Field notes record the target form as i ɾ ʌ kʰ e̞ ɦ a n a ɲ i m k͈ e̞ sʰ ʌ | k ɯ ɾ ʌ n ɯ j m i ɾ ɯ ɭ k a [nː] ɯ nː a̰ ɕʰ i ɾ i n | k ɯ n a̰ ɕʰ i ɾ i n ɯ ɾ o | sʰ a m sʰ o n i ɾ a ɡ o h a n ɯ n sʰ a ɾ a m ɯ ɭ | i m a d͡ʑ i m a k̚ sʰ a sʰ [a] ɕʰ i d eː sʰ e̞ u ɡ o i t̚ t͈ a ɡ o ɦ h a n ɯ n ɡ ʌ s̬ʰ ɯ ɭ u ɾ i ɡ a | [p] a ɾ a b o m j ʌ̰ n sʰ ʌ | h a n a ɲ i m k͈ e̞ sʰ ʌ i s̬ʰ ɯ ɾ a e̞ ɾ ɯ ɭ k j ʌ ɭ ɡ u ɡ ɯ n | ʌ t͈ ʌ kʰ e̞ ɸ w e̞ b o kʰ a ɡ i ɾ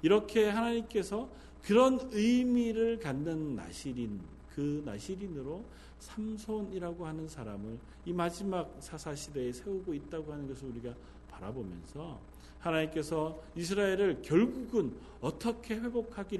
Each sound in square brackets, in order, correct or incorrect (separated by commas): correct, correct, correct